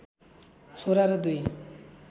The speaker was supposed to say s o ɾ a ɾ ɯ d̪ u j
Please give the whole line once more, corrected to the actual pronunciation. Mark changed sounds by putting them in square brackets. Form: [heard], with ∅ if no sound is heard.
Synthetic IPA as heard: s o ɾ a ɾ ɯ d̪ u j